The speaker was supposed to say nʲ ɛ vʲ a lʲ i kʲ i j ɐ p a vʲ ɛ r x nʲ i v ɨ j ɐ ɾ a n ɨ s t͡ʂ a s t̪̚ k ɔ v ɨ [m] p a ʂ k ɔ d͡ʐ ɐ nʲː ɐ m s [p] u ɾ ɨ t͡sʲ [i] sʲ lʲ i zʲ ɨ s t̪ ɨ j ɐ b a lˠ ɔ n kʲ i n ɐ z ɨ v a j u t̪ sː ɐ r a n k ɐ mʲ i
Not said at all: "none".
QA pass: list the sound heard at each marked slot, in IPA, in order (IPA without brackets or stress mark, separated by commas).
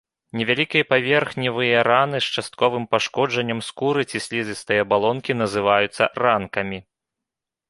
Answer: m, k, i